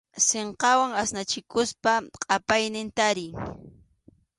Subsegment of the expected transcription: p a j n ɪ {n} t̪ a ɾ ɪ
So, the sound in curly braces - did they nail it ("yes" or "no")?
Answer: yes